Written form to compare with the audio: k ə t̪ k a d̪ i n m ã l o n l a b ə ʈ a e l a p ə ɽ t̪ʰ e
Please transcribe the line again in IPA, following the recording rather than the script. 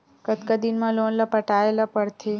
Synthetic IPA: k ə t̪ k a d̪ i n m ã l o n l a p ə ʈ a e l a p ə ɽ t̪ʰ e

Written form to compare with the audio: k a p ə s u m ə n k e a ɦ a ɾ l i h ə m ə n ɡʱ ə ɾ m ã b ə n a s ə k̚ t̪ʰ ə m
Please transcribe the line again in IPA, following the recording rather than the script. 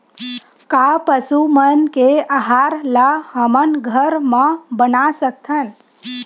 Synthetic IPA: k a p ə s u m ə n k e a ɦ a ɾ l a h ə m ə n ɡʱ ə ɾ m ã b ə n a s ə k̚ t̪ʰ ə n

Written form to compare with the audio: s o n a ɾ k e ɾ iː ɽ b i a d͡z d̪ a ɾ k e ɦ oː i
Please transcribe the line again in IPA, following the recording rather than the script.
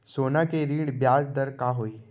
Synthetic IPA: s o n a k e ɾ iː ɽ b j a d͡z d̪ ə ɾ k a ɦ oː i

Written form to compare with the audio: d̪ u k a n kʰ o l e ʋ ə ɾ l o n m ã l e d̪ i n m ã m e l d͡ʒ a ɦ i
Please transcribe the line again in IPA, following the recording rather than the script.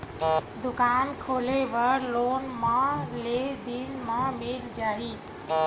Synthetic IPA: d̪ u k a n kʰ o l e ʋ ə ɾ l o n m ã l e d̪ i n m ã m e l d͡ʒ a ɦ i

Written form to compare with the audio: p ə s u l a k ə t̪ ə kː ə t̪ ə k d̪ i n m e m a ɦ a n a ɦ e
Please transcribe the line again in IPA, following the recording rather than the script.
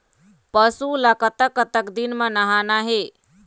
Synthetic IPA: p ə s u l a k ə t̪ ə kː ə t̪ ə k d̪ i n m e n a ɦ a n a ɦ e

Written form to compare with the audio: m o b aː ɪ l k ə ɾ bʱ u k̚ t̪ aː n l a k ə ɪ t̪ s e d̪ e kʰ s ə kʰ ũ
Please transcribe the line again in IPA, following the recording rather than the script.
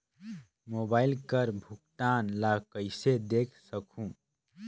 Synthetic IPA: m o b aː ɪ l k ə ɾ bʱ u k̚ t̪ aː n l a k ə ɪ s e d̪ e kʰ s ə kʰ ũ

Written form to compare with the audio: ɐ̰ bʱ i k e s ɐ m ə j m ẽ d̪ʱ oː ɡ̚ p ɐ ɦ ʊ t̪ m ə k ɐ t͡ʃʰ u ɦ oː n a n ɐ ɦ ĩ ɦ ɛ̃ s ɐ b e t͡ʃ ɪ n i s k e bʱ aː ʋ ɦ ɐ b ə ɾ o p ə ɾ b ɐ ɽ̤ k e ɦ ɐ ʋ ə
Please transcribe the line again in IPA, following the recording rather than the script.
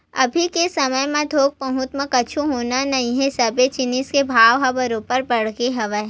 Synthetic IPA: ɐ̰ bʱ i k e s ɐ m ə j m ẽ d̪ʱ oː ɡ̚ p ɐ ɦ ʊ t̪ m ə k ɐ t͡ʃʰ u ɦ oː n a n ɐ ɦ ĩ ɦ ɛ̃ s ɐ b e t͡ʃ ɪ n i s k e bʱ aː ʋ ɦ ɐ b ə ɾ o p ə ɾ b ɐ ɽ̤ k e ɦ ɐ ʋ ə

